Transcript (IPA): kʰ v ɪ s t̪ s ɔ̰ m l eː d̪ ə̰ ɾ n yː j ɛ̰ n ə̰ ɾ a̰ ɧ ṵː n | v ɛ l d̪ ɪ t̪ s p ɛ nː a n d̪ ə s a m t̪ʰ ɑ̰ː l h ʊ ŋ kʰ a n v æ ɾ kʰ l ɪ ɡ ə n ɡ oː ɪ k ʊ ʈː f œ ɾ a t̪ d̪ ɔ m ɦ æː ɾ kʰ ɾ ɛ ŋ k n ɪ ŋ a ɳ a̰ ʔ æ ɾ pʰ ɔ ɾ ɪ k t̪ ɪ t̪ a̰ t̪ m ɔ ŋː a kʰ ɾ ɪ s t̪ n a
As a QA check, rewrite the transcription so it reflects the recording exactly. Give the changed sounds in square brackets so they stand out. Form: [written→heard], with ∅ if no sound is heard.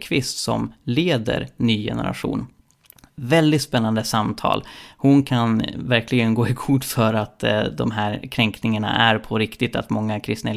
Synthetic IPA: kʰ v ɪ s t̪ s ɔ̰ m l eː d̪ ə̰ ɾ n yː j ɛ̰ n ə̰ ɾ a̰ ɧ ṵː n | v ɛ l d̪ ɪ t̪ s p ɛ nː a n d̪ ə s a m t̪ʰ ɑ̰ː l h ʊ [ŋ→n] kʰ a n v æ ɾ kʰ l ɪ ɡ ə n ɡ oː ɪ [k→kʰ] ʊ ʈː f œ ɾ a t̪ d̪ ɔ m ɦ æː ɾ kʰ ɾ ɛ ŋ k n ɪ ŋ a ɳ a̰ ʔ æ ɾ pʰ ɔ ɾ ɪ k t̪ ɪ t̪ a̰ t̪ m ɔ ŋː a kʰ ɾ ɪ s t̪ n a